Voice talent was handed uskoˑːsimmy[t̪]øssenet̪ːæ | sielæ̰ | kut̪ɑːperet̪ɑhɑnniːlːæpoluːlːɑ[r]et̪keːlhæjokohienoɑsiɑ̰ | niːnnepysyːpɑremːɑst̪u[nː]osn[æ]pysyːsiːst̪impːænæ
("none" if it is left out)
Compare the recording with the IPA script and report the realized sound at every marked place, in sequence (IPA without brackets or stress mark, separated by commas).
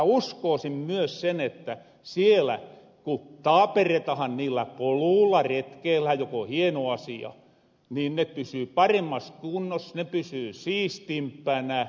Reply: none, r, nː, e